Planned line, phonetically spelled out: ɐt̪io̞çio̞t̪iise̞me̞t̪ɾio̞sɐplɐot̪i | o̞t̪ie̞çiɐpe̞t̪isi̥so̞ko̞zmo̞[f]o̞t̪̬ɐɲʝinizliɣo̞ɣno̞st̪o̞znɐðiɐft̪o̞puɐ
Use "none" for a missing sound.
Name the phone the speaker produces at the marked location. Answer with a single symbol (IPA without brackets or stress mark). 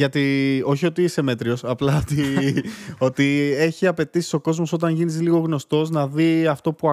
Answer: s